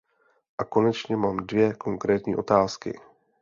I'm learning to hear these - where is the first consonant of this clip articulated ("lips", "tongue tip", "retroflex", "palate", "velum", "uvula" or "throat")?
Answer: throat